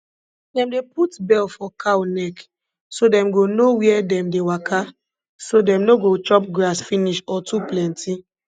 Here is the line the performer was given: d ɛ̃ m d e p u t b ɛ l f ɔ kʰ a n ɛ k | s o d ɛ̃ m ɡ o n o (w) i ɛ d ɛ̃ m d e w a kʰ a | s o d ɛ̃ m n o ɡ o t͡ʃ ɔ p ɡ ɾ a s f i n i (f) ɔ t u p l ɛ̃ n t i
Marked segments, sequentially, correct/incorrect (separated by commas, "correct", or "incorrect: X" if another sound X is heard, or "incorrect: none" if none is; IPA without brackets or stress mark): correct, incorrect: ʃ